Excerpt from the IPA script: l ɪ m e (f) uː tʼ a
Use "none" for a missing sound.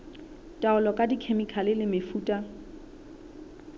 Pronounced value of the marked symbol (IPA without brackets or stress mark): f